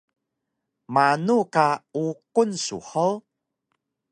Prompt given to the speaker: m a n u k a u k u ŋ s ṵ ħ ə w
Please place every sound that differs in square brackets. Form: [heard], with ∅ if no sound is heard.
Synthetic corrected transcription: m a n u k a u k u [n] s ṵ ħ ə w